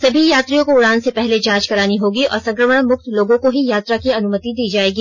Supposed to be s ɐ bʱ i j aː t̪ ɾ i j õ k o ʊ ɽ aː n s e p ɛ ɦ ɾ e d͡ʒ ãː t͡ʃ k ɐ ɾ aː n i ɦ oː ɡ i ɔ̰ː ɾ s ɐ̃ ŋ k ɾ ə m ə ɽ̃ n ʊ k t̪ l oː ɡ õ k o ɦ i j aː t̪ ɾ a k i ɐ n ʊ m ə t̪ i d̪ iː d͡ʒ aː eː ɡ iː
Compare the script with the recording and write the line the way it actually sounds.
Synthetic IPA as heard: s ɐ bʱ i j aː t̪ ɾ i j õ k o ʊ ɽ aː n s e p ɛ ɦ l e d͡ʒ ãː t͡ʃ k ɐ ɾ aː n i ɦ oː ɡ i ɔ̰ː ɾ s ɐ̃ ŋ k ɾ ə m ə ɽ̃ m ʊ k t̪ l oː ɡ õ k o ɦ i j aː t̪ ɾ a k i ɐ n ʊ m ə t̪ i d̪ iː d͡ʒ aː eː ɡ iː